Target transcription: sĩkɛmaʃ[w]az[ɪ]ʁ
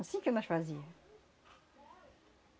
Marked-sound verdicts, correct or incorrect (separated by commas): correct, incorrect